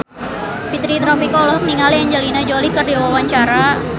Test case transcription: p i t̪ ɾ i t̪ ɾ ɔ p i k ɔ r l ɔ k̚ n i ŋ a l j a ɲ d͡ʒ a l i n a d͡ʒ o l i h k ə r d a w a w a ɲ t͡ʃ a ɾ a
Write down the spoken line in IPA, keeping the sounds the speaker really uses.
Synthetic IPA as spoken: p i t̪ ɾ i t̪ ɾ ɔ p i k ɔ l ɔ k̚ n i ŋ a l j a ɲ d͡ʒ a l i n a d͡ʒ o l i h k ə r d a w a w a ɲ t͡ʃ a ɾ a